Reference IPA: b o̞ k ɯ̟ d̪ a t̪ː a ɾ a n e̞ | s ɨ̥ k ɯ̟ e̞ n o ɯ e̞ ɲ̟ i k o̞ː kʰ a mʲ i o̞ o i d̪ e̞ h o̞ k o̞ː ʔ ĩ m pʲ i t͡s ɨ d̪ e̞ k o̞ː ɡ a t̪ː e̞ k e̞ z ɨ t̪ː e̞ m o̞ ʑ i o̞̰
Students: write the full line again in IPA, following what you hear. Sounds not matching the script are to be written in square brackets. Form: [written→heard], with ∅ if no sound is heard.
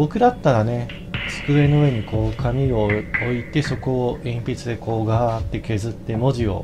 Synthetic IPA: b o̞ k ɯ̟ d̪ a t̪ː a ɾ a n e̞ | s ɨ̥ k ɯ̟ e̞ n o ɯ e̞ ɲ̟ i k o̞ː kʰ a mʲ i o̞ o i [d̪→t̪] e̞ [h→s] o̞ k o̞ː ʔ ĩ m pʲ i t͡s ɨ d̪ e̞ k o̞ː ɡ a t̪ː e̞ k e̞ z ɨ t̪ː e̞ m o̞ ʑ i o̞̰